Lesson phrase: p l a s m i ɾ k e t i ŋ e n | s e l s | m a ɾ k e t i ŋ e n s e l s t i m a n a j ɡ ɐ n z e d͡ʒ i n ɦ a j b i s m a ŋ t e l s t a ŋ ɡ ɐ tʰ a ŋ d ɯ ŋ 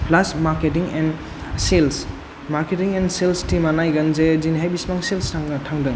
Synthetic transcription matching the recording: p l a s m a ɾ k e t i ŋ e n | s e l s | m a ɾ k e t i ŋ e n s e l s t i m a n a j ɡ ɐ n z e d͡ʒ i n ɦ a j b i s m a ŋ s e l s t a ŋ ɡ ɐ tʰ a ŋ d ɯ ŋ